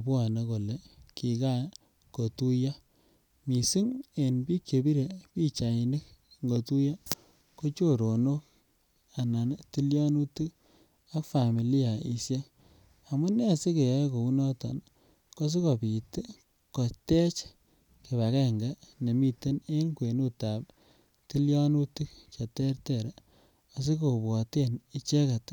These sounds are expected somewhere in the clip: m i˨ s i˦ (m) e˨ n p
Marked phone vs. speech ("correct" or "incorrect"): incorrect